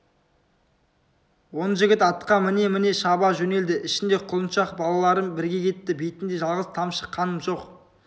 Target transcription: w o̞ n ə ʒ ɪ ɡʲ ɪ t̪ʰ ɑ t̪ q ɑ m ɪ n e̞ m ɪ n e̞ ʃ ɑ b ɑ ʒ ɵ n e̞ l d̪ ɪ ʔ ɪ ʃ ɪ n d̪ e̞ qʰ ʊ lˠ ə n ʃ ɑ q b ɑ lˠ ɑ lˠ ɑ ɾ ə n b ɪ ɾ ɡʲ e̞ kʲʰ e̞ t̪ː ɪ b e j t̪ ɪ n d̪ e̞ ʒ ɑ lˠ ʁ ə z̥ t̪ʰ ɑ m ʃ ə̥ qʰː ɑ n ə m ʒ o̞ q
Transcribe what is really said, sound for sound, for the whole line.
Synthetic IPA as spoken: w o̞ n ə ʒ ɪ ɡʲ ɪ t̪ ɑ t̪ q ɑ m ɪ n e̞ m ɪ n e̞ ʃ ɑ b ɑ ʒ ɵ n e̞ l d̪ ɪ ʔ ɪ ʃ ɪ n d̪ e̞ qʰ ʊ lˠ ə n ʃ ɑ q b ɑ lˠ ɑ lˠ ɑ ɾ ə n b ɪ ɾ ɡʲ e̞ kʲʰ e̞ t̪ː ɪ b e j t̪ ɪ n d̪ e̞ ʒ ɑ lˠ ʁ ə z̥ t̪ʰ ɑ m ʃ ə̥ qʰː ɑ n ə m ʒ o̞ q